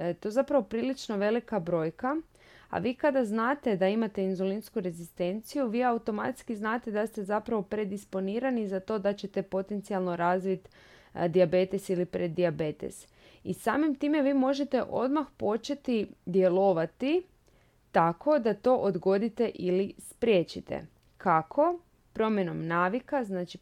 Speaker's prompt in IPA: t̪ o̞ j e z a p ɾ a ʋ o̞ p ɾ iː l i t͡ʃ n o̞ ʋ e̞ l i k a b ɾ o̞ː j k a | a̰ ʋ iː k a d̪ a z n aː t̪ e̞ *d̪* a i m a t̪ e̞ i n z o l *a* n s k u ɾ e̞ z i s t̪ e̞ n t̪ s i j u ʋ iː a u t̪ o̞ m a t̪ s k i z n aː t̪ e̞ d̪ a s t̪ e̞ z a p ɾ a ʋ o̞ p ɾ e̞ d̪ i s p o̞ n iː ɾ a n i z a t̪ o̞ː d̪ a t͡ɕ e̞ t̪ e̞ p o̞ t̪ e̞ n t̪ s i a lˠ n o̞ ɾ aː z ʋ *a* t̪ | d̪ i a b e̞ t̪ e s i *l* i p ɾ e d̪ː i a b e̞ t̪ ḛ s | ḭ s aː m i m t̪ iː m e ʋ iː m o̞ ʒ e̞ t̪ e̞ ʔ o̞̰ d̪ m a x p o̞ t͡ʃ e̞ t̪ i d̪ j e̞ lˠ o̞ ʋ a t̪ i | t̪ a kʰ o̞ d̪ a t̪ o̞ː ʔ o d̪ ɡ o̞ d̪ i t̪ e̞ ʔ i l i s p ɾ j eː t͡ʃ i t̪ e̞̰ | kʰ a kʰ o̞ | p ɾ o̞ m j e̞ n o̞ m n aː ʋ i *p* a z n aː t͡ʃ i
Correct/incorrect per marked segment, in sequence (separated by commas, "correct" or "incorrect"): correct, incorrect, incorrect, correct, incorrect